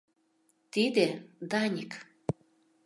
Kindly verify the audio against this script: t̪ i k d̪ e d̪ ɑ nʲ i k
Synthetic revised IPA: t̪ i d̪ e d̪ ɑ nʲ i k